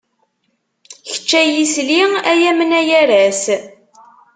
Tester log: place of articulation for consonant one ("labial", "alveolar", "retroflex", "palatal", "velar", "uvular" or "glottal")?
palatal